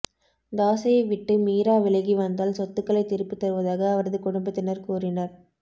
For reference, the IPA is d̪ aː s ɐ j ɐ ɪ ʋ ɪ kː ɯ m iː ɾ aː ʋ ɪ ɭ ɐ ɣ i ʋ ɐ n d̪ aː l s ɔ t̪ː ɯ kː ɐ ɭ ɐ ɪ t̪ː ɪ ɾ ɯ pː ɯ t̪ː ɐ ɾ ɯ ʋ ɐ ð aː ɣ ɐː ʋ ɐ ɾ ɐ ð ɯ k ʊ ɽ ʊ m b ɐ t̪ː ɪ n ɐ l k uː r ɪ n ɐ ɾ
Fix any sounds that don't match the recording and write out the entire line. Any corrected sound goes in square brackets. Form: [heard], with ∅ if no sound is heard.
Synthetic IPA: d̪ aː s ɐ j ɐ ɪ ʋ ɪ [ʈː] ɯ m iː ɾ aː ʋ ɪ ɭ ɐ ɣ i ʋ ɐ n d̪ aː l s ɔ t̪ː ɯ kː ɐ ɭ ɐ ɪ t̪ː ɪ ɾ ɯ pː ɯ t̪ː ɐ ɾ ɯ ʋ ɐ ð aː ɣ ɐː ʋ ɐ ɾ ɐ ð ɯ k ʊ ɽ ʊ m b ɐ t̪ː ɪ n ɐ [ɾ] k uː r ɪ n ɐ ɾ